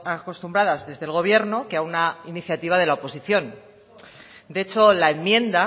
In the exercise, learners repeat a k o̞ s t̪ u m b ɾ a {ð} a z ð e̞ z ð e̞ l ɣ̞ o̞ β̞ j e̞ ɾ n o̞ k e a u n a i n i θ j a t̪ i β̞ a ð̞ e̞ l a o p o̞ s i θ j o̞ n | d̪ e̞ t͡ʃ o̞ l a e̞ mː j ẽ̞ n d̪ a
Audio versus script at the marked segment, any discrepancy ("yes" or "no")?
no